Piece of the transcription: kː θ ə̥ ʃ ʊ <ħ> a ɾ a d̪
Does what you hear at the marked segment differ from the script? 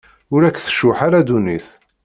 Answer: no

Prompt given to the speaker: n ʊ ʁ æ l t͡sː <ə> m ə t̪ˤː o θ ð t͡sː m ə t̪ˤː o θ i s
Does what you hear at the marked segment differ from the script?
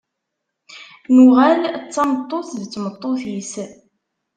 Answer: yes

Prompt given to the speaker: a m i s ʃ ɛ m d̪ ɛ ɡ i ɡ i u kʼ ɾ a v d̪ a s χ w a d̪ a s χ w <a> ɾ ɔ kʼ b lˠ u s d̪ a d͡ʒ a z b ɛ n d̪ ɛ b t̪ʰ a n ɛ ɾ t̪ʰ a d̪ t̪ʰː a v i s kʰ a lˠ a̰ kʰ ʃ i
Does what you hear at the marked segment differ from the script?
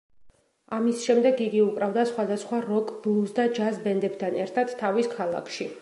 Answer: no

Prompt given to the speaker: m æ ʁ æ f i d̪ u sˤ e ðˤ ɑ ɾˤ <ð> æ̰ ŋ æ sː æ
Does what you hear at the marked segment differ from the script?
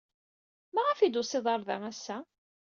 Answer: no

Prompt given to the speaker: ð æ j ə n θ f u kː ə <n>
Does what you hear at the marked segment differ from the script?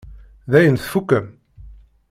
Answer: yes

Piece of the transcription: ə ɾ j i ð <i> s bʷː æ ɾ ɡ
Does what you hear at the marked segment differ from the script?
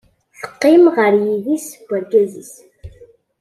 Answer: no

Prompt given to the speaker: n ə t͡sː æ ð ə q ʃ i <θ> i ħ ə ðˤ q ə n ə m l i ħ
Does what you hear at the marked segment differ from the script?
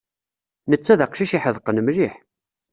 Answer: yes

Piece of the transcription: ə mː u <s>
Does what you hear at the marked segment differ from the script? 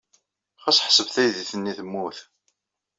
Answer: yes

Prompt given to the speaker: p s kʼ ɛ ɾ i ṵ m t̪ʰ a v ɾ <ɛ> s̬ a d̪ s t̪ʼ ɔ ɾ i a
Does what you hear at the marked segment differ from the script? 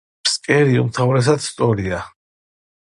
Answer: no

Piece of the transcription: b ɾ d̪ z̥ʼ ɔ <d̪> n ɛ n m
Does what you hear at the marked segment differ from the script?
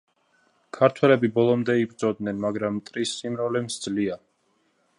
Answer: no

